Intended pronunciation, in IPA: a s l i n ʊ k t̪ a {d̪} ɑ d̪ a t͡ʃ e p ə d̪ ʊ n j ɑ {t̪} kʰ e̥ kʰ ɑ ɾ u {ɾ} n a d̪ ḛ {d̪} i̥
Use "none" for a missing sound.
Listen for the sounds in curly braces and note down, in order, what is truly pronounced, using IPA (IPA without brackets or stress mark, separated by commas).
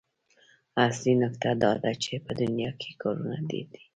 d̪, none, none, d̪